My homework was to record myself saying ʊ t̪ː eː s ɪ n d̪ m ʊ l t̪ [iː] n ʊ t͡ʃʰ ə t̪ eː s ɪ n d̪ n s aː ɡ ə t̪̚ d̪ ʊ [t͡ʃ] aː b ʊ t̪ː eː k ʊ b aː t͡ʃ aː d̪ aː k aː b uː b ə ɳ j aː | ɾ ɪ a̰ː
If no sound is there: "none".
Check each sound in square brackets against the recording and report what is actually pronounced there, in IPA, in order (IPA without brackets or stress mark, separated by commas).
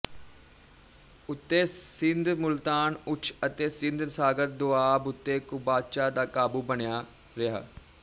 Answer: aː, none